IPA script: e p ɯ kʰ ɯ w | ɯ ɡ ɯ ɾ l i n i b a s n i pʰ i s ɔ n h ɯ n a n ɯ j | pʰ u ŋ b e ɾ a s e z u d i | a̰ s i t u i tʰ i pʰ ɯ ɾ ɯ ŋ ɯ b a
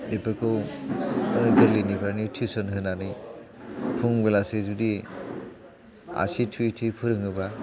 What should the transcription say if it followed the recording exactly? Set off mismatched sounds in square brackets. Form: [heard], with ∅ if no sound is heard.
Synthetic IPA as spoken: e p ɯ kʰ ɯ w | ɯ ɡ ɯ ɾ l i n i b a [∅] n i [tʰ] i s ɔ n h ɯ n a n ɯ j | pʰ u ŋ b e [l] a s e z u d i | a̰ s i [tʰ] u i tʰ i pʰ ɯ ɾ ɯ ŋ ɯ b a

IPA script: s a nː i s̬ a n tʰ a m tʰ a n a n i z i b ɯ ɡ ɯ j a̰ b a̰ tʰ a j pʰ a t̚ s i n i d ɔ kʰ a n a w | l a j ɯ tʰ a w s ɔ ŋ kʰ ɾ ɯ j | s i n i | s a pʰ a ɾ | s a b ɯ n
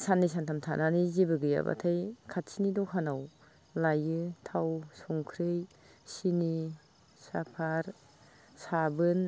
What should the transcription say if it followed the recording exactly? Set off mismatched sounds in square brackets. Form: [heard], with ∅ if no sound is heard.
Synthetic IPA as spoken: s a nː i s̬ a n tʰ a m tʰ a n a n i z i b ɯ ɡ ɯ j a̰ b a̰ tʰ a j [kʰ] a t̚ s i n i d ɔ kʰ a n a w | l a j ɯ tʰ a w s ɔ ŋ kʰ ɾ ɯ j | s i n i | s a pʰ a ɾ | s a b ɯ n

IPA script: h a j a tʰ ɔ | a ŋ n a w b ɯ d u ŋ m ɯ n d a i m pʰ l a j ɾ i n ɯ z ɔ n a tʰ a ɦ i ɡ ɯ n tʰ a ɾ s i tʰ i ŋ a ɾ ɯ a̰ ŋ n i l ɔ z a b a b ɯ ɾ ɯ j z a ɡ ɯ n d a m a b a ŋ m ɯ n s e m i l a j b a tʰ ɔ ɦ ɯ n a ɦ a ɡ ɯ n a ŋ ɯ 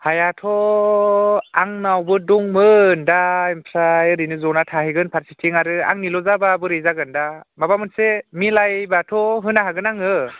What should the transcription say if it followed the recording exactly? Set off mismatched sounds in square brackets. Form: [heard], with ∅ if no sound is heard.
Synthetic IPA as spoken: h a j a tʰ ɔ | a ŋ n a w b ɯ d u ŋ m ɯ n d a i m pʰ [ɾ] a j ɾ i n ɯ z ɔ n a tʰ a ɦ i ɡ ɯ n [pʰ] a ɾ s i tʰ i ŋ a ɾ ɯ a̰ ŋ n i l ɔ z a b a b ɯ ɾ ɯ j z a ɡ ɯ n d a m a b a [∅] m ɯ n s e m i l a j b a tʰ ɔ ɦ ɯ n a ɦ a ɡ ɯ n a ŋ ɯ

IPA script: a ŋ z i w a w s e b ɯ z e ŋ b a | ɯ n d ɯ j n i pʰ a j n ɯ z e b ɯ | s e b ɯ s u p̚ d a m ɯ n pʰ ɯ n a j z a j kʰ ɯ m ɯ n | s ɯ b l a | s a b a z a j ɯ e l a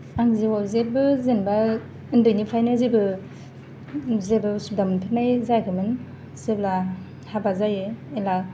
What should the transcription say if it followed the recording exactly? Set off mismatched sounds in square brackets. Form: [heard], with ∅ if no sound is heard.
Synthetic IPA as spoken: a ŋ z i w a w [z] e b ɯ z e [n] b a | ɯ n d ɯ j n i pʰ a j n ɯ z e b ɯ | [z] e b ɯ s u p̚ d a m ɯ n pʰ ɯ n a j z a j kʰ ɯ m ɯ n | s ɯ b l a | [h] a b a z a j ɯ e l a

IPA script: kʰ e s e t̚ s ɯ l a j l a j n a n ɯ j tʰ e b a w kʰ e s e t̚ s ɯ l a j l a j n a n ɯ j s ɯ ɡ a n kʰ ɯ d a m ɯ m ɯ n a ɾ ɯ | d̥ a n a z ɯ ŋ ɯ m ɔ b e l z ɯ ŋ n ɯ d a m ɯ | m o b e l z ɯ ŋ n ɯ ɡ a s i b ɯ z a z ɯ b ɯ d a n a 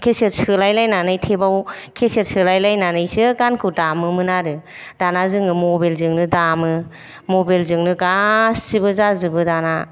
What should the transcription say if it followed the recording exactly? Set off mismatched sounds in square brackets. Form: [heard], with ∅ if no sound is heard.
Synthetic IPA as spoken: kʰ e s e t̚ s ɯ l a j l a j n a n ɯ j tʰ e b a w kʰ e s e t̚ s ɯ l a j l a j n a n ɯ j s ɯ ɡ a n kʰ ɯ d a m ɯ m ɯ n a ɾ ɯ | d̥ a n a z ɯ ŋ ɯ m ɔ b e l z ɯ ŋ n ɯ d a m ɯ | m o b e l z ɯ ŋ n ɯ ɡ a s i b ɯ z a z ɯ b ɯ d a n a

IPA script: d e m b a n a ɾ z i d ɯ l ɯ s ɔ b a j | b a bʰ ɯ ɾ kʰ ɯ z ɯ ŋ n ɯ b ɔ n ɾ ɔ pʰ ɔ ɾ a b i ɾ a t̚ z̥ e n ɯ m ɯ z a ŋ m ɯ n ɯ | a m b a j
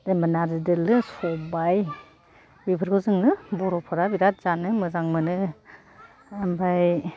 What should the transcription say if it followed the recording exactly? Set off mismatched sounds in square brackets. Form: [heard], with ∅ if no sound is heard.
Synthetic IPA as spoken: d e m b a n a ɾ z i d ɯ l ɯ s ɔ b a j | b [i] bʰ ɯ ɾ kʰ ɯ z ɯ ŋ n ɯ b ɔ [∅] ɾ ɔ pʰ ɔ ɾ a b i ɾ a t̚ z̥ [a] n ɯ m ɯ z a ŋ m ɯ n ɯ | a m b a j

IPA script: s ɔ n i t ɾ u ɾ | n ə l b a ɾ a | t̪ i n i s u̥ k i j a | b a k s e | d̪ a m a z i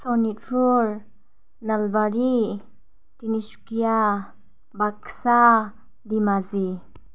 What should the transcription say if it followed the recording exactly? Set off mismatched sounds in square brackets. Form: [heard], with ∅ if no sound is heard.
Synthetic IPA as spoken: s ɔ n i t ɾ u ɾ | n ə l b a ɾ [i] | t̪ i n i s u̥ k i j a | b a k s [a] | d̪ [i] m a z i

